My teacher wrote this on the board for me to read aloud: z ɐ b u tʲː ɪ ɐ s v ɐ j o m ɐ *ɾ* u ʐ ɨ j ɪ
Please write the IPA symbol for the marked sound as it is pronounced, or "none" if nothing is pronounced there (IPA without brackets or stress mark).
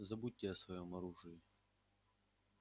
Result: ɾ